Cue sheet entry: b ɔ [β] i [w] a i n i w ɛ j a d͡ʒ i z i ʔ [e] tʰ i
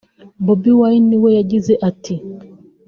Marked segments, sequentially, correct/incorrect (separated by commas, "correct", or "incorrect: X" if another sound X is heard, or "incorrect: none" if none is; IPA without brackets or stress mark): incorrect: b, correct, incorrect: a